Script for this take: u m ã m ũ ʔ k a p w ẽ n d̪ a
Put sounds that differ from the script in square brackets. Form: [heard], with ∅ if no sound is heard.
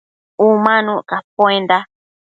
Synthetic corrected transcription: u m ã [n] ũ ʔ k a p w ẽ n d̪ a